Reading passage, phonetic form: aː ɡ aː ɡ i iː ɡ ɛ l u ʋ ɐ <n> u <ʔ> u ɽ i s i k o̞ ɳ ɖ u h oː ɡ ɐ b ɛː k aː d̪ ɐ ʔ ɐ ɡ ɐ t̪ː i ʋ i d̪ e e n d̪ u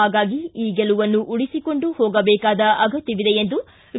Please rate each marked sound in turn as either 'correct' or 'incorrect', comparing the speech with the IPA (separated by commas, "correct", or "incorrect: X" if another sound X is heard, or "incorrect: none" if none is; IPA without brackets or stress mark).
incorrect: nː, correct